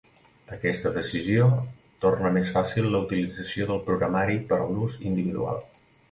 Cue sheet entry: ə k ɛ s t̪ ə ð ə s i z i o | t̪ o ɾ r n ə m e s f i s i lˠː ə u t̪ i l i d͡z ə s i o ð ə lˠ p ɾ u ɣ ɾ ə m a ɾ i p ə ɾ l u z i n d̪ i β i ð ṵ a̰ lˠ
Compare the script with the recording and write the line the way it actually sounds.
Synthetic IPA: ə k ɛ s t̪ ə ð ə s i z i o | t̪ o r n ə m e s f a s i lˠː ə u t̪ i l i d͡z ə s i o ð ə lˠ p ɾ u ɣ ɾ ə m a ɾ i p ə ɾ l u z i n d̪ i β i ð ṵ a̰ lˠ